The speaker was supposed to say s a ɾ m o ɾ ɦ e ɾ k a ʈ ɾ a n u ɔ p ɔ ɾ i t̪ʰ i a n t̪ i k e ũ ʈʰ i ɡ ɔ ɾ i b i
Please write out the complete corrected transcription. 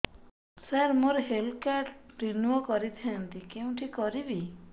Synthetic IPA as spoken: s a ɾ m o ɾ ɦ e l k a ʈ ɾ i n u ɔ k ɔ ɾ i t̪ʰ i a n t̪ i k e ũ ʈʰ i k ɔ ɾ i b i